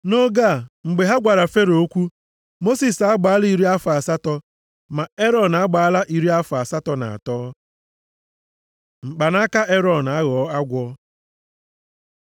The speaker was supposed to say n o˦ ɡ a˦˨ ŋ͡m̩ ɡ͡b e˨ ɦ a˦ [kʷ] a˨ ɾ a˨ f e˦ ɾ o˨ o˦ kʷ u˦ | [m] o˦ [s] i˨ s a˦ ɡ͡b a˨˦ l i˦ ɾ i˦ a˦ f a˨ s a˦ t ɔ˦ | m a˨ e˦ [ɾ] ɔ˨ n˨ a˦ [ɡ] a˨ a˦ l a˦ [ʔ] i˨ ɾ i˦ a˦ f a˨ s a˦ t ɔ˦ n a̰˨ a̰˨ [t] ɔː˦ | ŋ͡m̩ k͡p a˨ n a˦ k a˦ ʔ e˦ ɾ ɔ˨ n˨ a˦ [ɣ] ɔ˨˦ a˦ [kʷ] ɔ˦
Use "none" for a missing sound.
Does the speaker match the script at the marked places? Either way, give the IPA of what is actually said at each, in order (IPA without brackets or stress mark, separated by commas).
ɡʷ, m, s, ɾ, ɡ͡b, ʔ, t, ɣ, ɡʷ